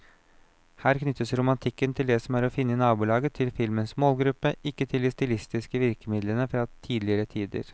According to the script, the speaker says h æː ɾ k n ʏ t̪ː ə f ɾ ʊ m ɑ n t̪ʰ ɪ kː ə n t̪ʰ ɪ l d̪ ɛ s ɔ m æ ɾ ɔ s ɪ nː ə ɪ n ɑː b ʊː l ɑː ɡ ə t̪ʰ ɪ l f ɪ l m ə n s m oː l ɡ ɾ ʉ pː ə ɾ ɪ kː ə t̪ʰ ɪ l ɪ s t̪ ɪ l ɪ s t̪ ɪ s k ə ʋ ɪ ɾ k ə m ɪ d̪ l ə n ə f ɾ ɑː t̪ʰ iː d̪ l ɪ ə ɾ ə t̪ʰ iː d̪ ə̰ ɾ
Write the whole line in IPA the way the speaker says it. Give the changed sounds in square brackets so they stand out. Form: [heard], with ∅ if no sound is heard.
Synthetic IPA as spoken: h æː ɾ k n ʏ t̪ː ə [s] ɾ ʊ m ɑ n t̪ʰ ɪ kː ə n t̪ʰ ɪ l d̪ ɛ s ɔ m æ ɾ ɔ [f] ɪ nː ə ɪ n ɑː b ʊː l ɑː ɡ ə t̪ʰ ɪ l f ɪ l m ə n s m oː l ɡ ɾ ʉ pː ə [∅] ɪ kː ə t̪ʰ ɪ l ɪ s t̪ ɪ l ɪ s t̪ ɪ s k ə ʋ ɪ ɾ k ə m ɪ d̪ l ə n ə f ɾ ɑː t̪ʰ iː d̪ l ɪ ə ɾ ə t̪ʰ iː d̪ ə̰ ɾ

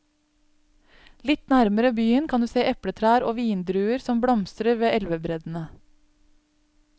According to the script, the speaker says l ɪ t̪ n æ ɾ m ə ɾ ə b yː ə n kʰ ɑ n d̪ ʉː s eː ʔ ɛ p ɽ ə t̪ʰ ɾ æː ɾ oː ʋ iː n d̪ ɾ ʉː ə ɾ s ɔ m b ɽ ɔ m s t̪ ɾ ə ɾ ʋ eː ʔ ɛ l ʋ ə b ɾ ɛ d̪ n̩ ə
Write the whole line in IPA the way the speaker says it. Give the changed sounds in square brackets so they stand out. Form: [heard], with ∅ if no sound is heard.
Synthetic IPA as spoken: l ɪ t̪ n æ ɾ m ə ɾ ə b yː ə n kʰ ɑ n d̪ ʉː s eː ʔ ɛ p ɽ ə t̪ʰ ɾ æː ɾ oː ʋ iː n d̪ ɾ ʉː ə ɾ s ɔ m b ɽ ɔ m s t̪ ɾ ə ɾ ʋ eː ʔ ɛ l ʋ ə b ɾ ɛ d̪ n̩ ə

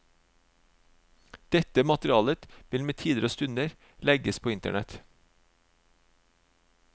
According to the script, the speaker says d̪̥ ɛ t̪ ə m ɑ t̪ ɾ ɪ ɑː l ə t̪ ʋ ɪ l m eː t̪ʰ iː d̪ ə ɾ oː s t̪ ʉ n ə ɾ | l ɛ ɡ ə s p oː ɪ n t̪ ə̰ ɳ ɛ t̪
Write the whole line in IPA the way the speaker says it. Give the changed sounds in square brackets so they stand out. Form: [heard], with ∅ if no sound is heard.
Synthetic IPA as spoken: d̪̥ ɛ t̪ ə m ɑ t̪ ɾ ɪ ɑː l ə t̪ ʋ ɪ l m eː t̪ʰ iː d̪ ə ɾ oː s t̪ ʉ n ə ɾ | l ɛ ɡ ə s [pʰ] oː ɪ n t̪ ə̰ ɳ ɛ t̪

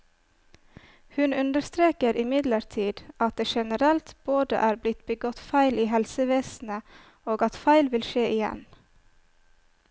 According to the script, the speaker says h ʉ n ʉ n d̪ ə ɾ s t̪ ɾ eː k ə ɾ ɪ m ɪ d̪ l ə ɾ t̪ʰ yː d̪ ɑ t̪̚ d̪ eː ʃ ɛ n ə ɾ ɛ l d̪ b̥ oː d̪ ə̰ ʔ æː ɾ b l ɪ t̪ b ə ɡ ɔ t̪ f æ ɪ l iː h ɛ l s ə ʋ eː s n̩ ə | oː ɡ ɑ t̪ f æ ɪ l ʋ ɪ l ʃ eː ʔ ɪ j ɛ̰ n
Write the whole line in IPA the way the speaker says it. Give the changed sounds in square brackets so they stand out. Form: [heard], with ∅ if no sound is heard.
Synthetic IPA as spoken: h ʉ n ʉ n d̪ ə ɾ s t̪ ɾ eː k ə ɾ ɪ m ɪ d̪ l ə ɾ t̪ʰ [iː] d̪ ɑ t̪̚ d̪ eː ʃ ɛ n ə ɾ ɛ l [t̪] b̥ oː d̪ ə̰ ʔ æː ɾ b l ɪ t̪ b ə ɡ ɔ t̪ f æ ɪ l iː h ɛ l s ə ʋ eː s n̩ ə | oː ɡ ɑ t̪ f æ ɪ l ʋ ɪ l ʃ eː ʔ ɪ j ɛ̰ n

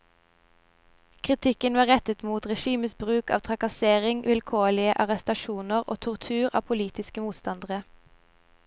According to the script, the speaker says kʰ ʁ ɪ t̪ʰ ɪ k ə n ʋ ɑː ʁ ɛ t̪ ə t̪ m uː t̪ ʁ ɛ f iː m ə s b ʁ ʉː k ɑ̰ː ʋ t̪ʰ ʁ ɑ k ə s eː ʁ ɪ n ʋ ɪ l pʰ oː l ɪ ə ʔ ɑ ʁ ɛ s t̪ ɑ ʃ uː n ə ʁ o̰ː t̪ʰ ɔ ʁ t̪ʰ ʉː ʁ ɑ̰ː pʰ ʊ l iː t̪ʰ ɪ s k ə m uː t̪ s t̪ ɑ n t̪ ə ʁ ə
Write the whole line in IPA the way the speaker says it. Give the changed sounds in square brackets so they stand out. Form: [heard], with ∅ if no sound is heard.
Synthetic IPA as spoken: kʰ ʁ ɪ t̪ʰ ɪ k ə n ʋ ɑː ʁ ɛ t̪ ə t̪ m uː t̪ ʁ ɛ [ʃ] iː m ə s b ʁ ʉː k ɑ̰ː ʋ t̪ʰ ʁ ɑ k [ɑ] s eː ʁ ɪ [ŋ] ʋ ɪ l [kʰ] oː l ɪ ə ʔ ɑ ʁ ɛ s t̪ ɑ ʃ uː n ə ʁ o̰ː t̪ʰ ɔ ʁ t̪ʰ ʉː ʁ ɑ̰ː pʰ ʊ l iː [t̪] ɪ s k ə m uː t̪ s t̪ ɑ n [d̪] ə ʁ ə

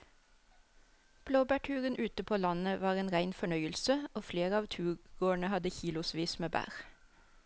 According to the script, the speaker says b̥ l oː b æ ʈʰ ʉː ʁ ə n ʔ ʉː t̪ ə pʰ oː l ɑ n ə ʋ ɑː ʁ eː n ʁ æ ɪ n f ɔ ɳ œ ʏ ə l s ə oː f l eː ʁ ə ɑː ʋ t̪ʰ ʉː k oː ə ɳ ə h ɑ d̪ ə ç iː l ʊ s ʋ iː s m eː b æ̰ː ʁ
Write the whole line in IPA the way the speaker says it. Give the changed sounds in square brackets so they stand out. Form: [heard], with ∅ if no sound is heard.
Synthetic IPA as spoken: b̥ l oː b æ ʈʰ ʉː ʁ ə n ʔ ʉː t̪ ə pʰ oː l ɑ n ə ʋ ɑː ʁ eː n ʁ æ ɪ n f ɔ ɳ œ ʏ ə l s ə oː f l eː ʁ ə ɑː ʋ t̪ʰ ʉː [ɡ] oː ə ɳ ə h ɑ d̪ ə ç iː l ʊ s ʋ iː s m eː b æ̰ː ʁ

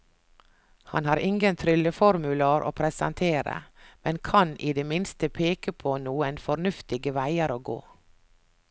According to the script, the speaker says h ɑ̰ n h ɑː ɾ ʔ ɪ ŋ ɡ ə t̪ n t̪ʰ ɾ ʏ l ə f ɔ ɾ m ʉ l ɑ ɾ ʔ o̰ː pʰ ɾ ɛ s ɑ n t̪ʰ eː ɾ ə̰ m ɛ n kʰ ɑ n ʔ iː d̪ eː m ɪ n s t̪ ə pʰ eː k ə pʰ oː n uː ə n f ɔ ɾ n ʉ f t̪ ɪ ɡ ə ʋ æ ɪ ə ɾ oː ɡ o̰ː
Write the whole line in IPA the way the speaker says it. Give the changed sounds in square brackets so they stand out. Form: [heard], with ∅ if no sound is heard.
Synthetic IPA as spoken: h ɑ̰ n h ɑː ɾ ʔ ɪ ŋ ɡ ə [∅] n t̪ʰ ɾ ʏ l ə f ɔ ɾ m ʉ l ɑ ɾ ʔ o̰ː pʰ ɾ ɛ s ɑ n t̪ʰ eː ɾ ə̰ m ɛ n kʰ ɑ n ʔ iː d̪ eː m ɪ n s t̪ ə pʰ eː k ə pʰ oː n uː ə n f ɔ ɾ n ʉ f t̪ ɪ ɡ ə ʋ æ ɪ ə ɾ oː ɡ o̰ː

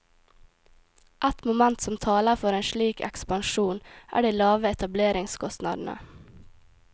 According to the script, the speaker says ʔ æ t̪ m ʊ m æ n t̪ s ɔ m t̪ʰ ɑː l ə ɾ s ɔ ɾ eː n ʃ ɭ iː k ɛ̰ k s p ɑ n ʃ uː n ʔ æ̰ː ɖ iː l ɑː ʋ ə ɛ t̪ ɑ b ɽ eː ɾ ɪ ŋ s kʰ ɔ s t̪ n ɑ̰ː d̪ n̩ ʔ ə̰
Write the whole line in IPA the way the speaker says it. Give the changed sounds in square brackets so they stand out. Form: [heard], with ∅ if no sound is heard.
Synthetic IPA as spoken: ʔ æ t̪ m ʊ m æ n t̪ s ɔ m t̪ʰ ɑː l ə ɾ [f] ɔ ɾ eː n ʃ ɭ iː k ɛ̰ k s p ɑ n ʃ uː n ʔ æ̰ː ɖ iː l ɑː ʋ ə ɛ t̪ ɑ b [l] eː ɾ ɪ ŋ s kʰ ɔ s t̪ n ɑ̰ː d̪ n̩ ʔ ə̰

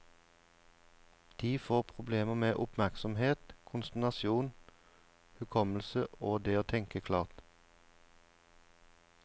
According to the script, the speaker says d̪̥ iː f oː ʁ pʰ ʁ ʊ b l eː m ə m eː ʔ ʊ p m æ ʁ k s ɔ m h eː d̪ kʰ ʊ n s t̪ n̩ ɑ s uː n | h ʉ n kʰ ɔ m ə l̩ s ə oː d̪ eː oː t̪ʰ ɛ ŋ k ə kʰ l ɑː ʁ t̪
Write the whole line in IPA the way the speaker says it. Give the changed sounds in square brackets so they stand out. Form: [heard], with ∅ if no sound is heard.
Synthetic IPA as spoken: d̪̥ iː f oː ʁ pʰ ʁ ʊ b l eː m ə m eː ʔ ʊ p m æ ʁ k s ɔ m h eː [t̪] kʰ ʊ n s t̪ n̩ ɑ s uː n | h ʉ [∅] kʰ ɔ m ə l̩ s ə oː d̪ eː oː t̪ʰ ɛ ŋ k ə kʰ l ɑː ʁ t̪

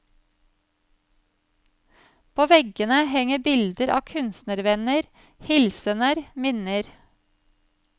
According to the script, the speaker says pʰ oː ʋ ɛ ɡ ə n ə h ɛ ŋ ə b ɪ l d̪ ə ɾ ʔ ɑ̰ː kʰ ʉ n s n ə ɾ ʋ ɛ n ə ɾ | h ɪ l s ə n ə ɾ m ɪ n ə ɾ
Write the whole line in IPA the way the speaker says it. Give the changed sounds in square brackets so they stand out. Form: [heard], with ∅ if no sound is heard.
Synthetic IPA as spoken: pʰ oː ʋ ɛ ɡ ə n ə h ɛ ŋ ə b ɪ l d̪ ə ɾ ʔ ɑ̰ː kʰ ʉ n s n ə ɾ ʋ ɛ n ə ɾ | h ɪ l s ə n ə ɾ m ɪ n ə ɾ

